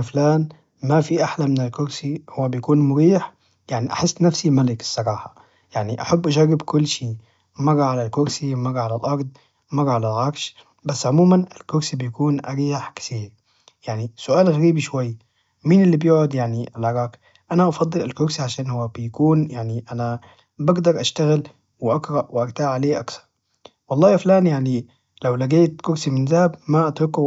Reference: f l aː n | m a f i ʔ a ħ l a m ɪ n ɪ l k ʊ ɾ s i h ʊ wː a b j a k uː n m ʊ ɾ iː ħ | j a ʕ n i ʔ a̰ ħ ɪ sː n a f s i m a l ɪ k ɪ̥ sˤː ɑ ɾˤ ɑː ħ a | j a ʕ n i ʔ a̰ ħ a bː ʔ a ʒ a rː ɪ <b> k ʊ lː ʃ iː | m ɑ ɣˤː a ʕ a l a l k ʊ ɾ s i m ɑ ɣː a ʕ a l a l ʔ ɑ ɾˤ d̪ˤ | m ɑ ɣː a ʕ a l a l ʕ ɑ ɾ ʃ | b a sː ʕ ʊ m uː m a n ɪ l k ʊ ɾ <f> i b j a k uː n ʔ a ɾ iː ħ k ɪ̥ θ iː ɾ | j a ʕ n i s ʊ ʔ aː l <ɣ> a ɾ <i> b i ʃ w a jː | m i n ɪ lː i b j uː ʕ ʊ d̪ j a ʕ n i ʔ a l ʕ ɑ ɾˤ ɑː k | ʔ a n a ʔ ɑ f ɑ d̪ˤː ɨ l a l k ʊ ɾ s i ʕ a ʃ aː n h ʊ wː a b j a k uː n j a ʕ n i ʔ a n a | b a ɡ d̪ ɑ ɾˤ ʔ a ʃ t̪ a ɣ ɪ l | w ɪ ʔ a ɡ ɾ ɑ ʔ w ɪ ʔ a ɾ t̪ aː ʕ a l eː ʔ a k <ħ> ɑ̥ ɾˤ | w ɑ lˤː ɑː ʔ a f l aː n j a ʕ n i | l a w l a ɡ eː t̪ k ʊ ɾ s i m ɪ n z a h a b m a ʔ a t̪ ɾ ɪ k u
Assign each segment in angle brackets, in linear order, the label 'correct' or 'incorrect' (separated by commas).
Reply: correct, incorrect, correct, incorrect, incorrect